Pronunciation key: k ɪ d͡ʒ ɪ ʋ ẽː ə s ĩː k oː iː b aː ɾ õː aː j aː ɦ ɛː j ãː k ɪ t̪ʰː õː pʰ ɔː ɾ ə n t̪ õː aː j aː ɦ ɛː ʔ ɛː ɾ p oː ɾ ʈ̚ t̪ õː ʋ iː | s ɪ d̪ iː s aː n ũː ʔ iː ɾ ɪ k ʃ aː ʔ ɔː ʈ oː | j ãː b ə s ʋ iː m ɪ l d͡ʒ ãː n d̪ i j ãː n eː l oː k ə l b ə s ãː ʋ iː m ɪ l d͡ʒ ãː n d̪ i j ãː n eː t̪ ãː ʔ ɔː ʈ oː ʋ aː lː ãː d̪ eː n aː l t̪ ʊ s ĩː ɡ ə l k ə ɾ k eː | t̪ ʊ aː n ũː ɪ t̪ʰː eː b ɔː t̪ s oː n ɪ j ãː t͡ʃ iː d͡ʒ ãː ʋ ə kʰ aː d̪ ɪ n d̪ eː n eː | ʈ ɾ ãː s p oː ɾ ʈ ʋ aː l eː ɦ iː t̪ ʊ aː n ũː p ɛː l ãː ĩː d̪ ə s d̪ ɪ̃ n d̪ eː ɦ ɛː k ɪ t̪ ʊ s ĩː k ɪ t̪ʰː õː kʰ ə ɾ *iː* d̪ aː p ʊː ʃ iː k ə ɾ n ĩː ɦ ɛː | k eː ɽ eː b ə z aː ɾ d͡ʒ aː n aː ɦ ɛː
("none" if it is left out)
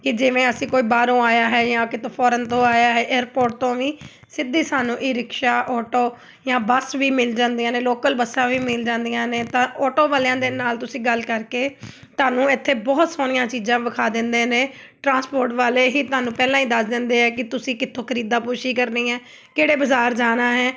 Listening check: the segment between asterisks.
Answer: iː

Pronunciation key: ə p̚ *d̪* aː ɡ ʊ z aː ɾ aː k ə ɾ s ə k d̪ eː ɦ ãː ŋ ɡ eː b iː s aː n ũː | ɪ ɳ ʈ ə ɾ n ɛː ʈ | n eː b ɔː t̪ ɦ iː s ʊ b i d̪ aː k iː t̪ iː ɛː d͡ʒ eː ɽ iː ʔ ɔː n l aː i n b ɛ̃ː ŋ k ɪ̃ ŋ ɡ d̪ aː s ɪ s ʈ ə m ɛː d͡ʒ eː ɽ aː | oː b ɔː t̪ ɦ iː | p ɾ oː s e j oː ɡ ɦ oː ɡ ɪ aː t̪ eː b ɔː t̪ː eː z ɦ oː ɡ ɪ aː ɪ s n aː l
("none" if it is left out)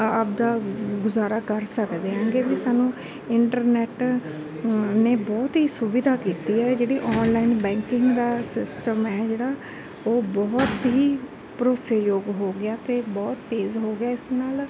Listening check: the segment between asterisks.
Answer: d̪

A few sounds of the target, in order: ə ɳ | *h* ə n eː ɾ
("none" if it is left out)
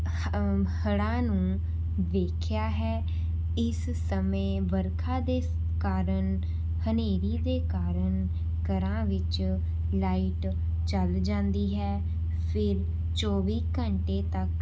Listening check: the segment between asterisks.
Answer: h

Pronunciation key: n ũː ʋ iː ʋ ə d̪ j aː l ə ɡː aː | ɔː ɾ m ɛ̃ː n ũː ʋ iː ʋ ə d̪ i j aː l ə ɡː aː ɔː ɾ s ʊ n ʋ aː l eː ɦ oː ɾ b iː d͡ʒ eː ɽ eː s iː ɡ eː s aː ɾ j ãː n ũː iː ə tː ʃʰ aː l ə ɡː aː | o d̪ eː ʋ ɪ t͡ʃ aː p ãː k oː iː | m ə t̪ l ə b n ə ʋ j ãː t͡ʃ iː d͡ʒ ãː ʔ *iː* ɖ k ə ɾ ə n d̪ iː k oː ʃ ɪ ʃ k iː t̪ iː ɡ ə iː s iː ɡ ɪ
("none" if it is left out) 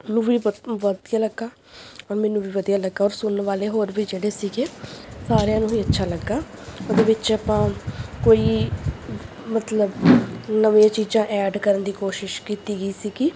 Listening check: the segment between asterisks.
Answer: ɛː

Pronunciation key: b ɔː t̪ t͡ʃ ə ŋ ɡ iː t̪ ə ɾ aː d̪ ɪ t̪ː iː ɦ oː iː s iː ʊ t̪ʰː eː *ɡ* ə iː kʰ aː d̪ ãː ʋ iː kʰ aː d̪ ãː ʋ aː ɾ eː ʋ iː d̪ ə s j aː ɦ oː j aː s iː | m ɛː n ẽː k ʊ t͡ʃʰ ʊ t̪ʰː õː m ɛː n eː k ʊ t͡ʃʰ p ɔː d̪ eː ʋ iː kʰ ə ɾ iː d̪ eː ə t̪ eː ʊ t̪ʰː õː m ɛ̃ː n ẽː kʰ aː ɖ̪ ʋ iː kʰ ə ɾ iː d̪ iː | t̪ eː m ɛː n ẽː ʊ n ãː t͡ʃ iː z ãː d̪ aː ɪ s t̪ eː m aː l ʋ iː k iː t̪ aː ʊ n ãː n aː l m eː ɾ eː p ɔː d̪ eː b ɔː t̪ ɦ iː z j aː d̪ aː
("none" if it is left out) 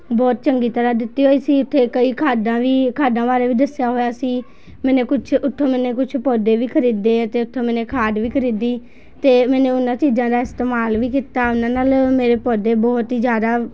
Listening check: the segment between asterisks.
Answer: k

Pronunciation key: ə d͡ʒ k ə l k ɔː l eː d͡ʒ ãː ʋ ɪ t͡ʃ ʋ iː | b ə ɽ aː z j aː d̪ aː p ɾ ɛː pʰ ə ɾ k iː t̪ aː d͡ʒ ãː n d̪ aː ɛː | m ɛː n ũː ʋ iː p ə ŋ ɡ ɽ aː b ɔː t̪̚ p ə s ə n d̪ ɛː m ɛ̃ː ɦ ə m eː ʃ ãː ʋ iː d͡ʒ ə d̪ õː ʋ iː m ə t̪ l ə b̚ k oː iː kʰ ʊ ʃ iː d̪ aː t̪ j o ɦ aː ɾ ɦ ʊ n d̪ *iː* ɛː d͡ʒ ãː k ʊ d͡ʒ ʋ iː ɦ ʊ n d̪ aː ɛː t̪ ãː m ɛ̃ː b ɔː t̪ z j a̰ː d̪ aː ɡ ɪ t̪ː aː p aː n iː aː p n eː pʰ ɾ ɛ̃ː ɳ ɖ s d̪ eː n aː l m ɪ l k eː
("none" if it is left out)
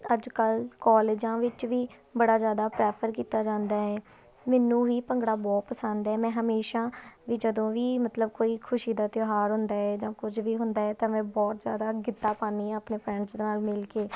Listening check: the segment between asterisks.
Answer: aː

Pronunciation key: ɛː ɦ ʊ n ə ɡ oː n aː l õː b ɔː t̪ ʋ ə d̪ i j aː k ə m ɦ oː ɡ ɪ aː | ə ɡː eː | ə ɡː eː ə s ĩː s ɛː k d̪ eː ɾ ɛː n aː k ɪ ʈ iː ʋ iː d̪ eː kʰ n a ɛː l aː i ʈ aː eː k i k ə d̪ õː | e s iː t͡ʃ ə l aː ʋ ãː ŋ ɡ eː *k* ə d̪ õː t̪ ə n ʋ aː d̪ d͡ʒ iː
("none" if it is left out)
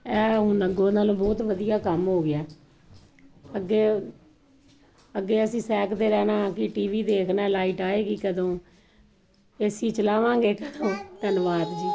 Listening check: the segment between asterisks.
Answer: k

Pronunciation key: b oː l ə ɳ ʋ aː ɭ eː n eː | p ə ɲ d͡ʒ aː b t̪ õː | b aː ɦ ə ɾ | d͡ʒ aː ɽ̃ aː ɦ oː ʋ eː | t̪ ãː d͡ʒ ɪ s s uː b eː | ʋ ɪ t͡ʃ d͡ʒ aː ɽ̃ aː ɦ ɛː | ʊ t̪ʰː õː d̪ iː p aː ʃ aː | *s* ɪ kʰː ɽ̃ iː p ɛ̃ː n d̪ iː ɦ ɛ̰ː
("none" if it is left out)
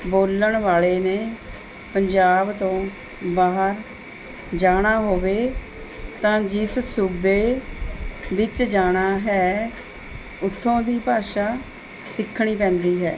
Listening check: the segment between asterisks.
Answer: s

